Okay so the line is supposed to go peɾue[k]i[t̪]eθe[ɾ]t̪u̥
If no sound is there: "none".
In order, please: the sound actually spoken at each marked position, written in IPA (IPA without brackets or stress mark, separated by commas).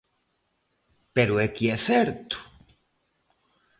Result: k, none, ɾ